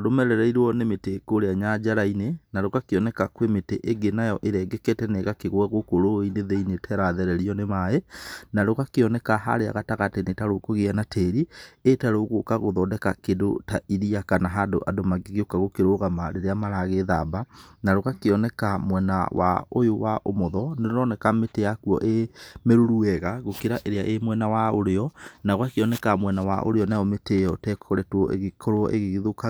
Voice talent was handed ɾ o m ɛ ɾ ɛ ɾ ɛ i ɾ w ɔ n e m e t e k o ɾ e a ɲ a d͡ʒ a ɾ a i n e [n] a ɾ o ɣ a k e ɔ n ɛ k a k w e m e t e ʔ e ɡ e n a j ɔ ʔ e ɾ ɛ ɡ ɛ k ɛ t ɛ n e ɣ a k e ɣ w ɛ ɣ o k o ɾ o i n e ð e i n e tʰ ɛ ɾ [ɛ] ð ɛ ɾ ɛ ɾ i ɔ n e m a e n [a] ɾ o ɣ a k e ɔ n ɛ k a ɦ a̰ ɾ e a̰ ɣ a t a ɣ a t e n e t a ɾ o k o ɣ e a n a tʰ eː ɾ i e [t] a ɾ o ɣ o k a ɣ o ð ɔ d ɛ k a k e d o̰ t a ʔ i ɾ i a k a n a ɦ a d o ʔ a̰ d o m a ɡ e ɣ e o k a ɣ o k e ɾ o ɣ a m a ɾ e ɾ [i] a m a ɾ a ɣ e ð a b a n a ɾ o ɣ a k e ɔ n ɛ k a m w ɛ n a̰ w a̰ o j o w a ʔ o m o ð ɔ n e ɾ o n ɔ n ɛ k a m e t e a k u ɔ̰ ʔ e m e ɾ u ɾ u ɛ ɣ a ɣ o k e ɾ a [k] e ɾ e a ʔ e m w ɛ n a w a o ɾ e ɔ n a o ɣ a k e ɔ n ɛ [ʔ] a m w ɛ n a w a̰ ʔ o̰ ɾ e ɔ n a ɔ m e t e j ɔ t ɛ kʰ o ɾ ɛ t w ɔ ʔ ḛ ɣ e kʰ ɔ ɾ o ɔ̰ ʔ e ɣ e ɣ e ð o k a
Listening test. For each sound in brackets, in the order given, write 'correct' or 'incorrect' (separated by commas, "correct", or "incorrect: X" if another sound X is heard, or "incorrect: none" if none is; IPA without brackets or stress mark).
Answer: correct, incorrect: a, correct, correct, incorrect: e, incorrect: ʔ, incorrect: k